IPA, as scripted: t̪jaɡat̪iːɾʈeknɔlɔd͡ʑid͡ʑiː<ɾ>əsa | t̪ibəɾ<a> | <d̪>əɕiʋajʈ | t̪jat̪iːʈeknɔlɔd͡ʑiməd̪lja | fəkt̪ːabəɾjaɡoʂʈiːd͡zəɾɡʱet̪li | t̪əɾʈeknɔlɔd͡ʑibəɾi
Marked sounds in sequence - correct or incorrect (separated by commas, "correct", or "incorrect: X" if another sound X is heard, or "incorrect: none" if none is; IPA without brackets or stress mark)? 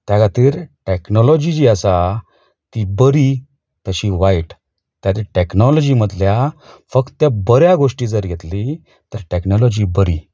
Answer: incorrect: none, incorrect: i, incorrect: t̪